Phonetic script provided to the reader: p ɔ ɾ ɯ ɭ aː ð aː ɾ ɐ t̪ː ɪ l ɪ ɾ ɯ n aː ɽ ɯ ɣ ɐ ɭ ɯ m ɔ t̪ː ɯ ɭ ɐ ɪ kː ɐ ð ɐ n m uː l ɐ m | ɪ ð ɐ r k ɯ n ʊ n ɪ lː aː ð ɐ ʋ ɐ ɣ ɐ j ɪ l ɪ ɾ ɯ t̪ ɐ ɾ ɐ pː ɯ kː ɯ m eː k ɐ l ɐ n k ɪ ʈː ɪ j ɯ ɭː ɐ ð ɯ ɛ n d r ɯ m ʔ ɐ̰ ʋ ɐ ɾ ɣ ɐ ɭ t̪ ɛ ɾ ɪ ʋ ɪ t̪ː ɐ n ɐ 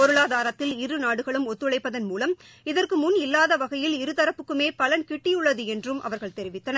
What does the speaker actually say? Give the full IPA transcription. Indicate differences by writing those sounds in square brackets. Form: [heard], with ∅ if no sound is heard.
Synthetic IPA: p ɔ ɾ ɯ ɭ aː ð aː ɾ ɐ t̪ː ɪ l ɪ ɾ ɯ n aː ɽ ɯ ɣ ɐ ɭ ɯ m ɔ t̪ː ɯ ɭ ɐ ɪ [pː] ɐ ð ɐ n m uː l ɐ m | ɪ ð ɐ r k ɯ [m] ʊ n ɪ lː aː ð ɐ ʋ ɐ ɣ ɐ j ɪ l ɪ ɾ ɯ t̪ ɐ ɾ ɐ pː ɯ kː ɯ m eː [p] ɐ l ɐ n k ɪ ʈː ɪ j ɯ ɭː ɐ ð ɯ ɛ n d r ɯ m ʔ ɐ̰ ʋ ɐ ɾ ɣ ɐ ɭ t̪ ɛ ɾ ɪ ʋ ɪ t̪ː ɐ n ɐ

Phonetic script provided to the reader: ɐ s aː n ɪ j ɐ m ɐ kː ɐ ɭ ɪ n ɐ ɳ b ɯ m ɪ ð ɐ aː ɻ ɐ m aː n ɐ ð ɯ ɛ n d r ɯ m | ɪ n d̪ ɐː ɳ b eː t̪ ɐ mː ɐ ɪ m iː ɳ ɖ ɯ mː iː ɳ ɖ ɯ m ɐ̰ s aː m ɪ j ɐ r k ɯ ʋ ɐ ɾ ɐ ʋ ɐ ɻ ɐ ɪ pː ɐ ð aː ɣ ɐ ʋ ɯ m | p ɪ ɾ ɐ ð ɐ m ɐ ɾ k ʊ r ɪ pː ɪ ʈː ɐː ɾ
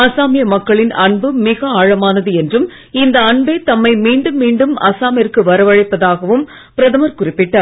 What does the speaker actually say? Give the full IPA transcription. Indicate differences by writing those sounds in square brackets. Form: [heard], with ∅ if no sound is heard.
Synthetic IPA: ɐ s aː [m] ɪ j ɐ m ɐ kː ɐ ɭ ɪ n ɐ ɳ b ɯ m ɪ [ɣ] ɐ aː ɻ ɐ m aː n ɐ ð ɯ ɛ n d r ɯ m | ɪ n d̪ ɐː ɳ b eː t̪ ɐ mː ɐ ɪ m iː ɳ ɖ ɯ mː iː ɳ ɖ ɯ m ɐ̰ s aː m ɪ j ɐ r k ɯ ʋ ɐ ɾ ɐ ʋ ɐ ɻ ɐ ɪ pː ɐ ð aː ɣ ɐ ʋ ɯ m | p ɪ ɾ ɐ ð ɐ m ɐ ɾ k ʊ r ɪ pː ɪ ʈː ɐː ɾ

